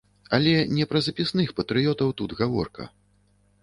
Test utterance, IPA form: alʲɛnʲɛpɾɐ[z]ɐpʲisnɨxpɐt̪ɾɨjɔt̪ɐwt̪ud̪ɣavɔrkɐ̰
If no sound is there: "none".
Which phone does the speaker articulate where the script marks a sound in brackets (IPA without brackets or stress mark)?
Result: z